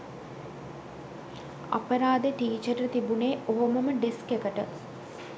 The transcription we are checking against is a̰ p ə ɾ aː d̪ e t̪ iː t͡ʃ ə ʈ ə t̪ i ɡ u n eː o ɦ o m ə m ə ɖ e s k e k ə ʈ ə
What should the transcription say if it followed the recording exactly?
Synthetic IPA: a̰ p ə ɾ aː d̪ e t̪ iː t͡ʃ ə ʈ ə t̪ i b u n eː o ɦ o m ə m ə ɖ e s k e k ə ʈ ə